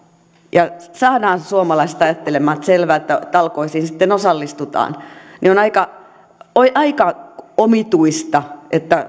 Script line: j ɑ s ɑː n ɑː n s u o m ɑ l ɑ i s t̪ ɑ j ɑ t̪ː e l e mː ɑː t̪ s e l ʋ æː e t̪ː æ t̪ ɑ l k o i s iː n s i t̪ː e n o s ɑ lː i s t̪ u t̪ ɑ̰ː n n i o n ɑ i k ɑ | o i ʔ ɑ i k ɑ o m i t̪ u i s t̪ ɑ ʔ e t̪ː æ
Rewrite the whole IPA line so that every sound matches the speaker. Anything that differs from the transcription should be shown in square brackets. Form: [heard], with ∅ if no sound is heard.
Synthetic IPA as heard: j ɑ s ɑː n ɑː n s u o m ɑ l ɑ i s t̪ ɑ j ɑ t̪ː e l e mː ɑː t̪ s e l ʋ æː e t̪ː æ t̪ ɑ l k o i s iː n s i t̪ː e n o s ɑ lː i s t̪ u t̪ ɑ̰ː n n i o n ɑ i k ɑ | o i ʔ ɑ i k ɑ o m i t̪ u i s t̪ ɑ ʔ e t̪ː æ